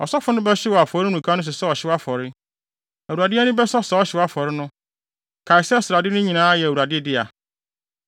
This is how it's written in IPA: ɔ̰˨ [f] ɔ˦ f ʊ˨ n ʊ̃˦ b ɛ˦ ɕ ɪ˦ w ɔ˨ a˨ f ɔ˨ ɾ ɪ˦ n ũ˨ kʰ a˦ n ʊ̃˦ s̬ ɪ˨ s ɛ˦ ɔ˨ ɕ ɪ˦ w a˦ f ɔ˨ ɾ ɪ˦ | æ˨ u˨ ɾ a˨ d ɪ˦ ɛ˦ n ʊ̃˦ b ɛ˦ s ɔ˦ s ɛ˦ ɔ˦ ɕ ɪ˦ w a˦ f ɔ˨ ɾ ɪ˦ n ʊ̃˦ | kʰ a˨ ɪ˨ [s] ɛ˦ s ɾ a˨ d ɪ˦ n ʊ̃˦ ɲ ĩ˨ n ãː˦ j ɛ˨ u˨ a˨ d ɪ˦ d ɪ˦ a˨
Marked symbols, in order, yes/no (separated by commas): no, yes